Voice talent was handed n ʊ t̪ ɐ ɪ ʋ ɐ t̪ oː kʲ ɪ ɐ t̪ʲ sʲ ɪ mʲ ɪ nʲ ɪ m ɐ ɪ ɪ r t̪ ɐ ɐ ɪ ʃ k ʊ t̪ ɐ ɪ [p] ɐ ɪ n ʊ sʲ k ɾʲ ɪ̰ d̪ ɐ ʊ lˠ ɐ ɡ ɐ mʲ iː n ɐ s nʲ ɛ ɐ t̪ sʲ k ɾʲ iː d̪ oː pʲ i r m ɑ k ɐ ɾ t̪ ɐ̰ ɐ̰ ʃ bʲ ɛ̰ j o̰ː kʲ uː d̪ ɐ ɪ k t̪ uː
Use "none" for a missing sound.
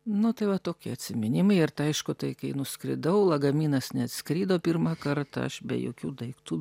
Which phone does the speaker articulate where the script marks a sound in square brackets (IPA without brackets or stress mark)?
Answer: k